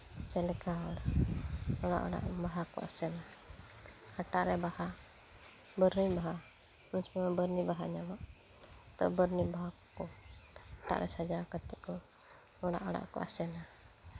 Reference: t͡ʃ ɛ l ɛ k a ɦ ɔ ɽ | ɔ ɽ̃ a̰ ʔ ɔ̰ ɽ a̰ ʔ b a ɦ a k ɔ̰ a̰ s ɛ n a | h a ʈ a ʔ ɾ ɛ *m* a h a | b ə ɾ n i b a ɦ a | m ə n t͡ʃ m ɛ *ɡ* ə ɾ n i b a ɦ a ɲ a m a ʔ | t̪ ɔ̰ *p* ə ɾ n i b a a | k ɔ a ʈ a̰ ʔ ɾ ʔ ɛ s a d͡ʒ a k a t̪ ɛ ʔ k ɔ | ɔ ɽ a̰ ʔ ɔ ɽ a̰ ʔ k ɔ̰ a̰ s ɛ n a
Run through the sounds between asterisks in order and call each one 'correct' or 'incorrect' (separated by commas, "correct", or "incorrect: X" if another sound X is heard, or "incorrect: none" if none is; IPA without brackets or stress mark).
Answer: incorrect: b, incorrect: b, incorrect: b